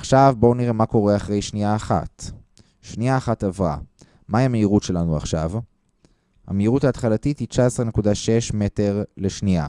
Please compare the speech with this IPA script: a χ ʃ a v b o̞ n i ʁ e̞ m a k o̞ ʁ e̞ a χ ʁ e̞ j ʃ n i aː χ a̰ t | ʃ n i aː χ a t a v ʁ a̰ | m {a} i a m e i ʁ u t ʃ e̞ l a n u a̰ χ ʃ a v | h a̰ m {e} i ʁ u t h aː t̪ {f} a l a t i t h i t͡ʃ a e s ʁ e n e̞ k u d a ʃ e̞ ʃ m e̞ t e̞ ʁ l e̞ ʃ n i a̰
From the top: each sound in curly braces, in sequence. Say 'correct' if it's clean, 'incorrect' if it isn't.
correct, correct, incorrect: χ

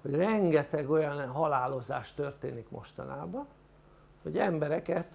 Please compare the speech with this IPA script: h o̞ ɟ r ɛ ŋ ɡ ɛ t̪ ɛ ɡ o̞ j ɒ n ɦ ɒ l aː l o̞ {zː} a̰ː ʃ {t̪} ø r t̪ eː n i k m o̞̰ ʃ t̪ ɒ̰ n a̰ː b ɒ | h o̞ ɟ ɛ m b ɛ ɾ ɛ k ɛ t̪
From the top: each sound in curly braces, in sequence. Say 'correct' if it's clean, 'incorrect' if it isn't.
incorrect: z, correct

